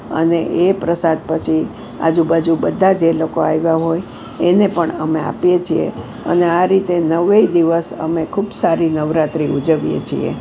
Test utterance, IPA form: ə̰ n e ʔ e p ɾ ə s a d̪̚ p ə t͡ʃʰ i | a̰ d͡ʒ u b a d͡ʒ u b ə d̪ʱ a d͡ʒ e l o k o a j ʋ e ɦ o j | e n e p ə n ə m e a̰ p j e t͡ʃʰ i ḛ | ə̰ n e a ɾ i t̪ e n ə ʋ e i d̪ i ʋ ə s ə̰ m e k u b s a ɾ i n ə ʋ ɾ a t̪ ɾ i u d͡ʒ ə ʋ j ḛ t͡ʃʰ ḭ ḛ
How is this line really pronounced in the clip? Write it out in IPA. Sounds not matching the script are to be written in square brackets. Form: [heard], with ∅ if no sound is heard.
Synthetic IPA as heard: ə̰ n e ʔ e p ɾ ə s a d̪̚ p ə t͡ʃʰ i | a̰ d͡ʒ u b a d͡ʒ u b ə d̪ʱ a d͡ʒ e l o k o a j ʋ [a] ɦ o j | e n e p ə [ɳ] ə m e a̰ p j e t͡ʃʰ i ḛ | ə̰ n e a ɾ i t̪ e n ə ʋ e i d̪ i ʋ ə s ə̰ m e [kʰ] u b s a ɾ i n ə ʋ ɾ a t̪ ɾ i u d͡ʒ ə ʋ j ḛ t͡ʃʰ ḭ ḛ